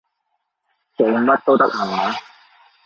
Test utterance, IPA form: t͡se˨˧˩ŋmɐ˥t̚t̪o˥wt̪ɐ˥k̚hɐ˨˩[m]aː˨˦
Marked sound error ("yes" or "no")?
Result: no